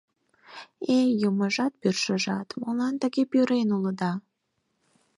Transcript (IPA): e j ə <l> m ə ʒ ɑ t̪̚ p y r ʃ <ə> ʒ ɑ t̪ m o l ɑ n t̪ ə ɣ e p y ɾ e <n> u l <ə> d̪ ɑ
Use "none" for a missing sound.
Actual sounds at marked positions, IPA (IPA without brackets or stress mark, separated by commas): none, ə, n, ə